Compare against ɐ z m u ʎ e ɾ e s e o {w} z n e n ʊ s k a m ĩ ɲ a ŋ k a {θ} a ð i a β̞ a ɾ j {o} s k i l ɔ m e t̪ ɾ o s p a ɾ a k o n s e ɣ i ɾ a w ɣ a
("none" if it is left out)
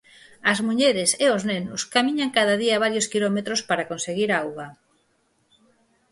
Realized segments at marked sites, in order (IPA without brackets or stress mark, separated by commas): none, ð, o